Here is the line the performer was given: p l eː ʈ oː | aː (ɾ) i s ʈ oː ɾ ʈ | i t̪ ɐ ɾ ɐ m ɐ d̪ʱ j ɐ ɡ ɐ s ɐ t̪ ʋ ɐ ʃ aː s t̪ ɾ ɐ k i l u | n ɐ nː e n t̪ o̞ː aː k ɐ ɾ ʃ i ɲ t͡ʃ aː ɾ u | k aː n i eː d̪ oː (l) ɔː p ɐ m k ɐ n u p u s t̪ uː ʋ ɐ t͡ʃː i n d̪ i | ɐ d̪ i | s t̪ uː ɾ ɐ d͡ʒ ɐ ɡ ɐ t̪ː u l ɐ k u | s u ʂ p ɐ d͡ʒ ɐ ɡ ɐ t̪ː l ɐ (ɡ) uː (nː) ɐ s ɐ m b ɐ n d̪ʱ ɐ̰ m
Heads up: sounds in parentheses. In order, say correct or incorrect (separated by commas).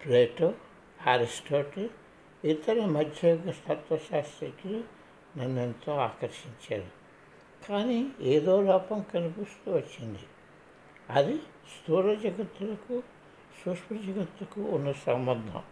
correct, correct, incorrect, correct